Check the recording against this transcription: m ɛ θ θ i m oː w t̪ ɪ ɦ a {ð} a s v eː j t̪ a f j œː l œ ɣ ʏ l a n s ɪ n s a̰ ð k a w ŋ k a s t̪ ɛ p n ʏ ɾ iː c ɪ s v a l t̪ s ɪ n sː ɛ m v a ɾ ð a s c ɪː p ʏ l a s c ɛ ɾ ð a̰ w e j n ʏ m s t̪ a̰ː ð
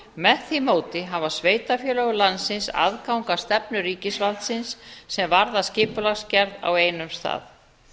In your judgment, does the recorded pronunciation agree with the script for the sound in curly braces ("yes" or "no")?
no